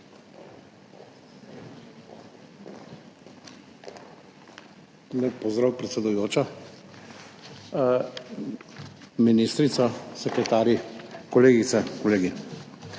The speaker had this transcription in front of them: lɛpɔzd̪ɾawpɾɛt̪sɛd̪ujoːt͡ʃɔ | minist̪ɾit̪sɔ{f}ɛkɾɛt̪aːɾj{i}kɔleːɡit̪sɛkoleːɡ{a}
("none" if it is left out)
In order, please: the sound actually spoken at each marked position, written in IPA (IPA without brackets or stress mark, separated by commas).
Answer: s, i, i